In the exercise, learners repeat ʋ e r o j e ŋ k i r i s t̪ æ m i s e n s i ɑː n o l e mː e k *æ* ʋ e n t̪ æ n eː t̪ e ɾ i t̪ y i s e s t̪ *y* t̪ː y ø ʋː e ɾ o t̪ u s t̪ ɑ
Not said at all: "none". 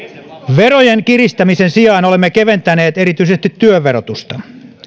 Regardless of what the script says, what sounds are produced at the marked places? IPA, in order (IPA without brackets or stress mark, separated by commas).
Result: e, i